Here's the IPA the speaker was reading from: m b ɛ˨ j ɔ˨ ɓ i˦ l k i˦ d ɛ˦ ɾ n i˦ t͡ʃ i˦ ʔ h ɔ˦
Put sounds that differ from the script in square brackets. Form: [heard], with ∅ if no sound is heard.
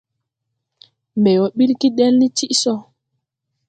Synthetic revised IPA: m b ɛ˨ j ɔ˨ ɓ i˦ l k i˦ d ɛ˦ [l] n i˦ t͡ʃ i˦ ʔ [s] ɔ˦